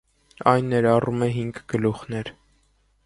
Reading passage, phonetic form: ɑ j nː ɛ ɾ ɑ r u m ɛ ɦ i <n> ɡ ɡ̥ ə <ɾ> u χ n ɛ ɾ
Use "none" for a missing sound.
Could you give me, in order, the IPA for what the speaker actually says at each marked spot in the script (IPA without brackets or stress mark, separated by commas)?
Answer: ŋ, l